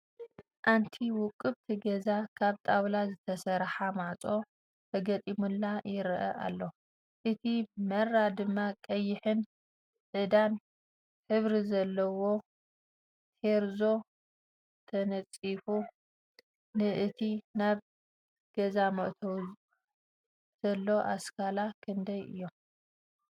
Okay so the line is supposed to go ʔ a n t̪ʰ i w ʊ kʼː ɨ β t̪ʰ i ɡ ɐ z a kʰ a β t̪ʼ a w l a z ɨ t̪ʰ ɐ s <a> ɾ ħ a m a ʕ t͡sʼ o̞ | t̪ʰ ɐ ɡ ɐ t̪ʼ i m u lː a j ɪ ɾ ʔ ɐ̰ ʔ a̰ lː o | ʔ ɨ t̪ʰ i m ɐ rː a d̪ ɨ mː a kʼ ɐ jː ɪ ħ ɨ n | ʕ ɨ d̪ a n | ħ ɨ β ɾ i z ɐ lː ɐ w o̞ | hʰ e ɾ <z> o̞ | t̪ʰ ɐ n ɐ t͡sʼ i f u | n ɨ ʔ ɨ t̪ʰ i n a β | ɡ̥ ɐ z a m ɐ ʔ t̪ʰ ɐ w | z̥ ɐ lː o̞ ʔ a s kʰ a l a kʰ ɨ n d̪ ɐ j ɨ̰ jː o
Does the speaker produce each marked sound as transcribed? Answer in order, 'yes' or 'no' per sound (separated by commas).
no, yes